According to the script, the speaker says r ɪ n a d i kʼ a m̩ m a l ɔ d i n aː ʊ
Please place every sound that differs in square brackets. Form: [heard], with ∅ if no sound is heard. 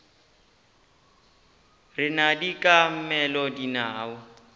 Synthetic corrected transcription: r ɪ n a d i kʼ a m̩ m [ɛ] l ɔ d i n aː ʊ